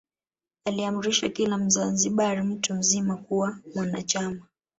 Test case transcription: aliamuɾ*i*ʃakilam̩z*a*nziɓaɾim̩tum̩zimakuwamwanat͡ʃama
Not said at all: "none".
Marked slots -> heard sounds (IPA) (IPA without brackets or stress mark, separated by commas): i, a